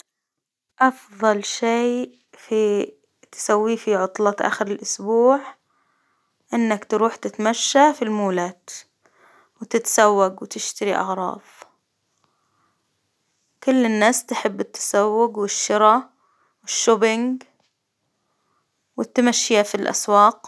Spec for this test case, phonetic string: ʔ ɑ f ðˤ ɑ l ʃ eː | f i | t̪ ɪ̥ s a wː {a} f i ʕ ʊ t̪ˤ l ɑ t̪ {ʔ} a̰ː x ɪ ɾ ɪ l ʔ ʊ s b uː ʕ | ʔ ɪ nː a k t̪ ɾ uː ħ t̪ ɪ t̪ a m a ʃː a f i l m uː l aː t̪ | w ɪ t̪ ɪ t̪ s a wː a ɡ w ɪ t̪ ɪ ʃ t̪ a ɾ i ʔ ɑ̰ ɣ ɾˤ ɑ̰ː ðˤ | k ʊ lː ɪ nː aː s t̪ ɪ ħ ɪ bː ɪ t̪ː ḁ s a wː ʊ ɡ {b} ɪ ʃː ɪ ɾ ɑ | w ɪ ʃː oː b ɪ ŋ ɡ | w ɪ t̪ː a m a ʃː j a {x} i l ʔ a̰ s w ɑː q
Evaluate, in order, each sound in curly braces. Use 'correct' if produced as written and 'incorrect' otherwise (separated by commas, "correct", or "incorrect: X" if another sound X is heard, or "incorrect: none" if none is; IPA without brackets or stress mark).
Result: incorrect: i, correct, incorrect: w, incorrect: f